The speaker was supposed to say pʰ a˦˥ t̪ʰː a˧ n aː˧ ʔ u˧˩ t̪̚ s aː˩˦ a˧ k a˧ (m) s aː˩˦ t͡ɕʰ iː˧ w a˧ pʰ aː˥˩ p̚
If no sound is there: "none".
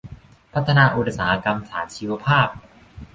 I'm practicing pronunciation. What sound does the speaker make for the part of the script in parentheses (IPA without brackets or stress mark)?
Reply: m